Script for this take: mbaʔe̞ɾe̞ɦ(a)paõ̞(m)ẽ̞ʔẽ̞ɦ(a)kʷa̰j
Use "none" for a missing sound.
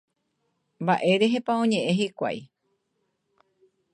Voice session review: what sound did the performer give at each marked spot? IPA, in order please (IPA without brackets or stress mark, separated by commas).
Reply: e, ɲ, i